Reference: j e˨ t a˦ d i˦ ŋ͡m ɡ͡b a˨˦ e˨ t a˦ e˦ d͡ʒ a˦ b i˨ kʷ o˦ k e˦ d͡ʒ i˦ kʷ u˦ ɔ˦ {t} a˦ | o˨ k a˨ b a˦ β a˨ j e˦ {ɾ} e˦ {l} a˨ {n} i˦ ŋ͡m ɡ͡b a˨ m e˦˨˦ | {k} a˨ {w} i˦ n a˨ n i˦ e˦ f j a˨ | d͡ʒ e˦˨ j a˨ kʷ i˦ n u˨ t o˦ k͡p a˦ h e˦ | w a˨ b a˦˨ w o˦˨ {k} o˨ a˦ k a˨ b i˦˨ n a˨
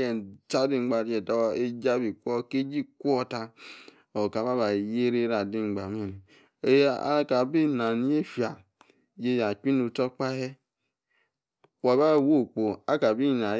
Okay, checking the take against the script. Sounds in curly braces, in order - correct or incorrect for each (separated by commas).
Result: correct, correct, incorrect, incorrect, correct, incorrect, incorrect